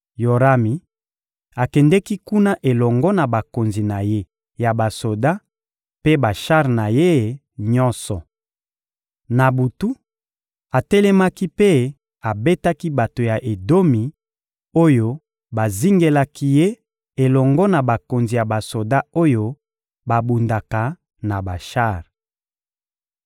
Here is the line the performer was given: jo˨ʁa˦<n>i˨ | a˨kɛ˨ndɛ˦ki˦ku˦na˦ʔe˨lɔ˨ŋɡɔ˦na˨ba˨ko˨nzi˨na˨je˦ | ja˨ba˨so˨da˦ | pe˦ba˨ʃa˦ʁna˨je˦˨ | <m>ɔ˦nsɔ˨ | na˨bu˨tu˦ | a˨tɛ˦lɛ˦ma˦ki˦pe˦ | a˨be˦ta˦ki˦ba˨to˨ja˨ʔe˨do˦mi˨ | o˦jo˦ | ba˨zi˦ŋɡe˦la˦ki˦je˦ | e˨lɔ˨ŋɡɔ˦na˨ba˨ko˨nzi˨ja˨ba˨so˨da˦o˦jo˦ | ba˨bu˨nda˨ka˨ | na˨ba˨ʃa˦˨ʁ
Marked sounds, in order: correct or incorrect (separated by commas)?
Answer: incorrect, incorrect